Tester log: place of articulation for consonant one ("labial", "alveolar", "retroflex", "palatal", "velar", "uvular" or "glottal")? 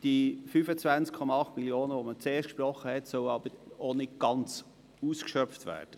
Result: alveolar